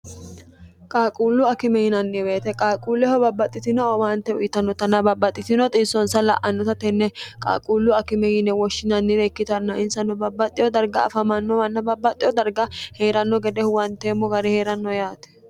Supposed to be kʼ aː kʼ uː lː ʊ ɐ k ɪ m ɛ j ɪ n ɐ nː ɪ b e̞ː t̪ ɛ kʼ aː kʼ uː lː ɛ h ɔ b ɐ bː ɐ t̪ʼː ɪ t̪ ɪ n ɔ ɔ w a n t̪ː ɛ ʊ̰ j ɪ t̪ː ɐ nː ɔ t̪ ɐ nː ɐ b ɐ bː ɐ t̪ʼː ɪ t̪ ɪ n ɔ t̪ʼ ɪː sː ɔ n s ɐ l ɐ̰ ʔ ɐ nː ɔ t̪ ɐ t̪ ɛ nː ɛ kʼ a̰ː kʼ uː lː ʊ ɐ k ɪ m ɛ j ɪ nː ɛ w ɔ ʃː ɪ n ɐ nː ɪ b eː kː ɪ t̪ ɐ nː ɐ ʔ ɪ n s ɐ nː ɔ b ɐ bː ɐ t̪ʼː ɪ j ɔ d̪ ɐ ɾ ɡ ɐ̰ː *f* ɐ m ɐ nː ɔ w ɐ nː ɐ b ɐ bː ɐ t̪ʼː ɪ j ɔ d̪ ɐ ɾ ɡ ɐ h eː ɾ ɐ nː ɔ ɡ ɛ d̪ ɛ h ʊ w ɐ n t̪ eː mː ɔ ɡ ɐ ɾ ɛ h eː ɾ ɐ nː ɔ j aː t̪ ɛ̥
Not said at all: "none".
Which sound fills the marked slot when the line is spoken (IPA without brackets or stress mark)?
f